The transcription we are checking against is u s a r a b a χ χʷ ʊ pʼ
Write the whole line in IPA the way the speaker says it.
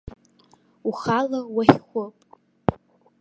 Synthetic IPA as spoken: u χ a l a w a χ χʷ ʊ pʼ